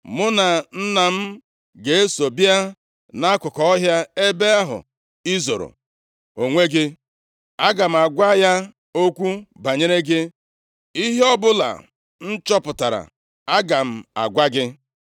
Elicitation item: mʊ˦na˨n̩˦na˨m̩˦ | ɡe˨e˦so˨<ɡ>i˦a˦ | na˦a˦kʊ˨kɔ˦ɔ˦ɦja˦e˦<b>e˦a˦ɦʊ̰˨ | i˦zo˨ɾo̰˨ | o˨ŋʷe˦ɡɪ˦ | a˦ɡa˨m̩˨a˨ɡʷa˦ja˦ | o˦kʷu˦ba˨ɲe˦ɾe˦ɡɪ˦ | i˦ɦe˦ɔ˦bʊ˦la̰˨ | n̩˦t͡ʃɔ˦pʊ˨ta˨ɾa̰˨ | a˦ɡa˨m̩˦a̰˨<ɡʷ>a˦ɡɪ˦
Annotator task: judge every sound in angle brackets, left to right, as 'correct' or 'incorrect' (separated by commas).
incorrect, correct, correct